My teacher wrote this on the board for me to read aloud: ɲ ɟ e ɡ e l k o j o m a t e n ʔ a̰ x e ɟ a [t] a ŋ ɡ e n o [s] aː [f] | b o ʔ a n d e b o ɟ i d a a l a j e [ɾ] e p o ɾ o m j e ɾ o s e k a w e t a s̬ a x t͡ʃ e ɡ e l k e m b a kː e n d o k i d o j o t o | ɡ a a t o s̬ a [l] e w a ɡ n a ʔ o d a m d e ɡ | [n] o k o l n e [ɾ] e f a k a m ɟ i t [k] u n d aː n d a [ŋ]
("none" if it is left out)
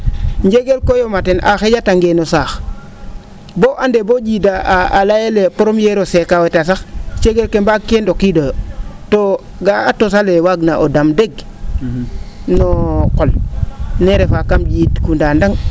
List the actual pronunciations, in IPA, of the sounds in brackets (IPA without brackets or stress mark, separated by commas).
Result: t, s, x, l, l, n, ɾ, k, ŋ